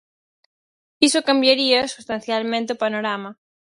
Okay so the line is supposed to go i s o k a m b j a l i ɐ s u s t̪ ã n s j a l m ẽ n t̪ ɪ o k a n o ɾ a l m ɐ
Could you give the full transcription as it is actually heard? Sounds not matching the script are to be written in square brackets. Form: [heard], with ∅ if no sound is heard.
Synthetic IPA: i s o k a m b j a [ɾ] i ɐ s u s t̪ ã n [θ] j a l m ẽ n t̪ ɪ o [p] a n o ɾ a [∅] m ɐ